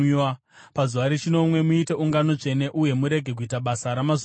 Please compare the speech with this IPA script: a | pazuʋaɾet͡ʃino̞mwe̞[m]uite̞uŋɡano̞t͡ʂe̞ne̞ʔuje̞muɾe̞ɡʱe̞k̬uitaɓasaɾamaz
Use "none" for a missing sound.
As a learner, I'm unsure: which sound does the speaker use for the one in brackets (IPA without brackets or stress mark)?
m